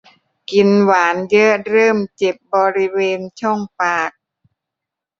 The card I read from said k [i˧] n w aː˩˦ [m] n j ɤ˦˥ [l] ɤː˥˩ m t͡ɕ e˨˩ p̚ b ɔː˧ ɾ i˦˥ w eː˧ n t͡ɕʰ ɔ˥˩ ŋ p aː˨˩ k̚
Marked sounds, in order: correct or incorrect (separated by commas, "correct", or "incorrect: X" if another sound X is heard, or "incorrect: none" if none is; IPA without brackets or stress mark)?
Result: correct, incorrect: none, incorrect: ɾ